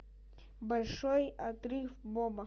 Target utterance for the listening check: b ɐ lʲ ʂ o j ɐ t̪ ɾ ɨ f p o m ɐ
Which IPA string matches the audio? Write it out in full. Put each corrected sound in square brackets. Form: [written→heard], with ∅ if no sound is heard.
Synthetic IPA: b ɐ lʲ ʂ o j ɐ t̪ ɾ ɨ f [p→b] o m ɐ

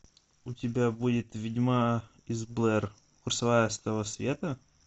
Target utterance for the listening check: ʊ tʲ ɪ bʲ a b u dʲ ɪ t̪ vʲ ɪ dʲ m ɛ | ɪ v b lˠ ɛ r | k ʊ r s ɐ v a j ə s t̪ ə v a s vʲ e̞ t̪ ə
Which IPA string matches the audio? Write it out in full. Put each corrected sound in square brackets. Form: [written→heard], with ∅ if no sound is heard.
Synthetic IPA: ʊ tʲ ɪ bʲ a b u dʲ ɪ t̪ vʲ ɪ dʲ m [ɛ→a] | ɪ [v→z] b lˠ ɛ r | k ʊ r s ɐ v a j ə s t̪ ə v [a→ə] s vʲ e̞ t̪ ə

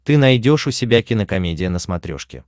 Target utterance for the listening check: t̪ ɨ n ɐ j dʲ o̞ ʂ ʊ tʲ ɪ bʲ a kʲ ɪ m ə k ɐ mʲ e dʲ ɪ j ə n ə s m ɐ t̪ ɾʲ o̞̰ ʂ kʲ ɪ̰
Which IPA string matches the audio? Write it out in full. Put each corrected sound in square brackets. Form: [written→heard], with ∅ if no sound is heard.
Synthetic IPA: t̪ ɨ n ɐ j dʲ o̞ ʂ ʊ [tʲ→sʲ] ɪ bʲ a kʲ ɪ [m→n] ə k ɐ mʲ e dʲ ɪ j ə n ə s m ɐ t̪ ɾʲ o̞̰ ʂ kʲ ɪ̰

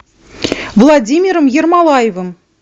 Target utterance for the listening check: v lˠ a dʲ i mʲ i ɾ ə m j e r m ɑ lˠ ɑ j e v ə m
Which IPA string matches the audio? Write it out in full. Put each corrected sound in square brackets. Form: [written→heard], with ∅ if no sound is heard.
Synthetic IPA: v lˠ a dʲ i mʲ i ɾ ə m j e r m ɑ lˠ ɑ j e v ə m

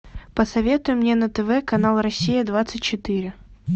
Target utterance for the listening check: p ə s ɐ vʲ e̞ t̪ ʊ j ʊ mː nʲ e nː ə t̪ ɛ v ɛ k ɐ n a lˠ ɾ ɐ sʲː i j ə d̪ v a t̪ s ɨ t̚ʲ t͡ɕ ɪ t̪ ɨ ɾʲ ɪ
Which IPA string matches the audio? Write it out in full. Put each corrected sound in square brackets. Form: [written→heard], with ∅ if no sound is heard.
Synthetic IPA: p ə s ɐ vʲ e̞ t̪ ʊ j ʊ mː nʲ e [nː→n] ə t̪ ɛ v ɛ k ɐ n a lˠ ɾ ɐ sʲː i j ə d̪ v a t̪ s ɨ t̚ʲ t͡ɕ ɪ t̪ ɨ ɾʲ ɪ

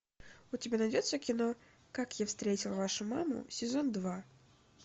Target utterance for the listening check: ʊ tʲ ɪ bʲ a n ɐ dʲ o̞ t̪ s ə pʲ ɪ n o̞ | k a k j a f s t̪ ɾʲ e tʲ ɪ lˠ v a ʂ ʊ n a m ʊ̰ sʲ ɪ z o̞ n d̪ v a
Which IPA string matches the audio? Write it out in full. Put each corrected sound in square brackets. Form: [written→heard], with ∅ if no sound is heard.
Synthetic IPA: ʊ tʲ ɪ bʲ a n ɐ dʲ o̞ t̪ s ə [pʲ→kʲ] ɪ n o̞ | k a k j a f s t̪ ɾʲ e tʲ ɪ lˠ v a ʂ ʊ [n→m] a m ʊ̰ sʲ ɪ z o̞ n d̪ v a

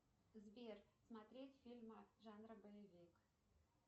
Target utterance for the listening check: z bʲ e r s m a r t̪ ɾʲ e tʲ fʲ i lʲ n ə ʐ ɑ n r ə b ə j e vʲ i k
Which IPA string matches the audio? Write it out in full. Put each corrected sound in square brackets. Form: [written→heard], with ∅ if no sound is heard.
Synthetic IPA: z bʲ e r s m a [r→∅] t̪ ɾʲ e tʲ fʲ i lʲ [n→m] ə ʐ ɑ n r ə b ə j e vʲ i k

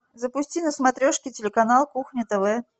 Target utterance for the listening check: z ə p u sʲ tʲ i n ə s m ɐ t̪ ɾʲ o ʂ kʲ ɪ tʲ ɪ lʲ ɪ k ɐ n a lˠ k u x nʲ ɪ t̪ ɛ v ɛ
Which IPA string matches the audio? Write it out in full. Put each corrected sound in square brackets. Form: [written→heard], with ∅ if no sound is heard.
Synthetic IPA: z ə p [u→ʊ] sʲ tʲ i n ə s m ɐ t̪ ɾʲ o ʂ kʲ ɪ tʲ ɪ lʲ ɪ k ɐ n a lˠ k u x nʲ ɪ t̪ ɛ v ɛ

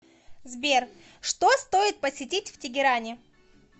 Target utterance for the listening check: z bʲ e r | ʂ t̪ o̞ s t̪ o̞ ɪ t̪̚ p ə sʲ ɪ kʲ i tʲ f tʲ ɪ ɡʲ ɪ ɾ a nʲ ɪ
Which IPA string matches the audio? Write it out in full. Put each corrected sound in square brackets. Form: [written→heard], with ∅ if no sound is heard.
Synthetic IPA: z bʲ e r | ʂ t̪ o̞ s t̪ o̞ ɪ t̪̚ p ə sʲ ɪ [kʲ→tʲ] i tʲ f tʲ ɪ ɡʲ ɪ ɾ a nʲ ɪ

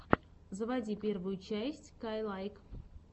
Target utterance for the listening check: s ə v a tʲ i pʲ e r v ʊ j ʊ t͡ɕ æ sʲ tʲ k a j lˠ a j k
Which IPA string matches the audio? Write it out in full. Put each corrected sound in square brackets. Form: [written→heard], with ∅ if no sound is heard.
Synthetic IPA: [s→z] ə v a [tʲ→dʲ] i pʲ e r v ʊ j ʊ t͡ɕ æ sʲ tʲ k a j lˠ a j k

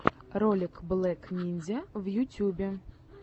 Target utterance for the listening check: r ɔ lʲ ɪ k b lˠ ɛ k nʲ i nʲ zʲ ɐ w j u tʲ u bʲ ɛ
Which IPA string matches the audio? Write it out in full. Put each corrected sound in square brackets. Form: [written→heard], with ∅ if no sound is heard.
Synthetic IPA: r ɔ lʲ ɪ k b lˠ ɛ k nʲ i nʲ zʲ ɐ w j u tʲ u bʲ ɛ

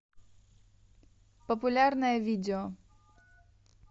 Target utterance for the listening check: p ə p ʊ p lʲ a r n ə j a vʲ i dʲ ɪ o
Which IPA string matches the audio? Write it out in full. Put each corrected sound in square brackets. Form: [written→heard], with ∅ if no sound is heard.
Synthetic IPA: p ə p ʊ [p→∅] lʲ a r n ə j [a→ə] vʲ i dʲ ɪ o

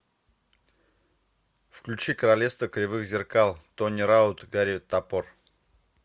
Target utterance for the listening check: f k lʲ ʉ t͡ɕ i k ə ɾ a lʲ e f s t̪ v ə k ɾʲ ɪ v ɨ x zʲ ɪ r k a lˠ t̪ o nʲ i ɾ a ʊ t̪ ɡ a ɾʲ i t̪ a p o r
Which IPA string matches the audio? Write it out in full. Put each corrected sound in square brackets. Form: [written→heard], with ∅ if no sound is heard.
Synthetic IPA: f k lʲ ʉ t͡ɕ i k ə ɾ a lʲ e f s t̪ v ə k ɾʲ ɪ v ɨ x zʲ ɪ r k a lˠ t̪ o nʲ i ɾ a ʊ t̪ ɡ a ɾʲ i t̪ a p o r

